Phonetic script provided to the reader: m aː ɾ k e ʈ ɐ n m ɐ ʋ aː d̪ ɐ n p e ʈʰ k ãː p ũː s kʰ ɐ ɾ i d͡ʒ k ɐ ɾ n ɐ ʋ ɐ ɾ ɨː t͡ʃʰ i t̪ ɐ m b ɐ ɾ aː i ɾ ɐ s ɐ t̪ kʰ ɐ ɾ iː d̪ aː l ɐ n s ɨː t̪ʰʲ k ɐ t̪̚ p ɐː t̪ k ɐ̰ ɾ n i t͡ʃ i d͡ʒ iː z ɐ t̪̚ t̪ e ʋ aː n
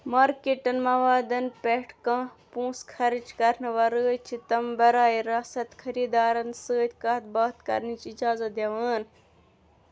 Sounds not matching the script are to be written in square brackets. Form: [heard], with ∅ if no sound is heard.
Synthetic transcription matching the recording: m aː ɾ k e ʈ ɐ n m ɐ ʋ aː d̪ ɐ n p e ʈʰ k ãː p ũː s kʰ ɐ ɾ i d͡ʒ k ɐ ɾ n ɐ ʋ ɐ ɾ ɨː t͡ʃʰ i t̪ ɐ m b ɐ ɾ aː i ɾ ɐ s ɐ t̪ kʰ ɐ ɾ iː d̪ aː [ɾ] ɐ n s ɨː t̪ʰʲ k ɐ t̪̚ [b] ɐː t̪ k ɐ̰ ɾ n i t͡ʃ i d͡ʒ [aː] z ɐ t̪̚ [d̪] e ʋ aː n